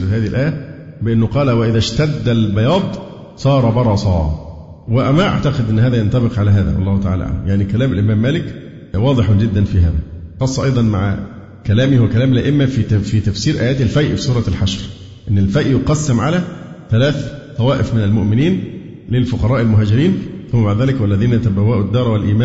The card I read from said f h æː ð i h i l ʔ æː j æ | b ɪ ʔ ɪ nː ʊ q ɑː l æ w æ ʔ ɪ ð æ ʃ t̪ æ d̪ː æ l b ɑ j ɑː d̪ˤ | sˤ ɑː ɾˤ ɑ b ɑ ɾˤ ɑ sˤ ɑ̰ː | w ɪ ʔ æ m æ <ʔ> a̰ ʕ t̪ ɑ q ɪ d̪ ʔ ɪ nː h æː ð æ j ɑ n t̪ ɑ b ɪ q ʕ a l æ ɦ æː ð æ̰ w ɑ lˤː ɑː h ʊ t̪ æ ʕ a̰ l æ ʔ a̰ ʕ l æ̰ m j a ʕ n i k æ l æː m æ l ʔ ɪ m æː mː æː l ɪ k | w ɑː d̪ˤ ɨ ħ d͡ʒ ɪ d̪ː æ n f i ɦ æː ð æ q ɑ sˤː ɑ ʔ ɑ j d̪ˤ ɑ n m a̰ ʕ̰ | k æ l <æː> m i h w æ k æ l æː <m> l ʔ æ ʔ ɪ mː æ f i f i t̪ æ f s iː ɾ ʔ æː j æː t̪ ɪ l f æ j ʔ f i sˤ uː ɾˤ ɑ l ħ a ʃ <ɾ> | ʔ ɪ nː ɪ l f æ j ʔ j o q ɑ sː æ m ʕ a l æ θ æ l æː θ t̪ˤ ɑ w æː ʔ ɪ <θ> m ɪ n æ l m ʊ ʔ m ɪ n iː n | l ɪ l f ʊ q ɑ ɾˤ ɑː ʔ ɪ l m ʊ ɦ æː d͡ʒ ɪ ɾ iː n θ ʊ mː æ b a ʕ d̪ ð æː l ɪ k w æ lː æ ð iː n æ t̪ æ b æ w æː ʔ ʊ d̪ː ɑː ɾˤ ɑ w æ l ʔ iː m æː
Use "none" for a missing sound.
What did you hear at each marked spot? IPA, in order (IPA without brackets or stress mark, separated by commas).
ʔ, æː, m, ɾ, f